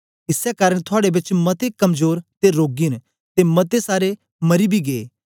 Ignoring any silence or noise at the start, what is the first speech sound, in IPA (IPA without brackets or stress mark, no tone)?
ɪ